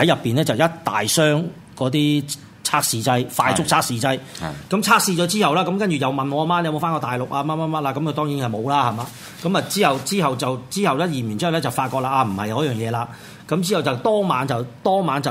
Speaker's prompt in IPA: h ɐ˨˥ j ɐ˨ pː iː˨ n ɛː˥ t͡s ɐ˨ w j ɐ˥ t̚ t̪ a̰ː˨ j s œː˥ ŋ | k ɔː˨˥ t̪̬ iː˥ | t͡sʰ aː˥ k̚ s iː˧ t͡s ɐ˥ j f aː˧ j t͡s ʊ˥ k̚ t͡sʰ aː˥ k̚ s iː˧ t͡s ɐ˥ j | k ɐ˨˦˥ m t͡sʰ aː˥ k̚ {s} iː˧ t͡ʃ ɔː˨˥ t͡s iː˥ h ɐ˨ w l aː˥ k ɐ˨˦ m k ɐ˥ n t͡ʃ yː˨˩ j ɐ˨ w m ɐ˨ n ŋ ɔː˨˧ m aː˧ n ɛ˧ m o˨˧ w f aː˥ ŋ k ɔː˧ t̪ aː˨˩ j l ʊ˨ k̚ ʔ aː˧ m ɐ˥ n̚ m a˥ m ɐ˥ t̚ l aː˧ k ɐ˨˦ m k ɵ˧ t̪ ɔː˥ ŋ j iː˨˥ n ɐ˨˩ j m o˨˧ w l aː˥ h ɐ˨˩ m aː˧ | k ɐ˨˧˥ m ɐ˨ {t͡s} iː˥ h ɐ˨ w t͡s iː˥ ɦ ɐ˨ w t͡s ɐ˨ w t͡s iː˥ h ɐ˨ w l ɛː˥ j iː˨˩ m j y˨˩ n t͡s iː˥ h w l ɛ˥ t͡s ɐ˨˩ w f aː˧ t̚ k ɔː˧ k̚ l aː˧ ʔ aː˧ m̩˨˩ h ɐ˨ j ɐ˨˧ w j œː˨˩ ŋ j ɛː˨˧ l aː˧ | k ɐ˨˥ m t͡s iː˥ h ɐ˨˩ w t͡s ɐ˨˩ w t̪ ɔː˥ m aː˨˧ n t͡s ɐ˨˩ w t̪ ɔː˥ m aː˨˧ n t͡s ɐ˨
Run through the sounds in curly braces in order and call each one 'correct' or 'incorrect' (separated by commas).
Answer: correct, correct